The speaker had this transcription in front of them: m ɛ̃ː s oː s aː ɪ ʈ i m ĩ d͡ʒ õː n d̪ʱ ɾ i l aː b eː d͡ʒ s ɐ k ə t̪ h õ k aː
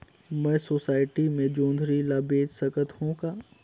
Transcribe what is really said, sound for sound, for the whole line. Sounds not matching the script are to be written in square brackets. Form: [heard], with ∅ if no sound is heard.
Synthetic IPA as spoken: m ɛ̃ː s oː s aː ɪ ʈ i m [ẽ] d͡ʒ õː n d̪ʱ ɾ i l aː b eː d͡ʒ s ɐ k ə t̪ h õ k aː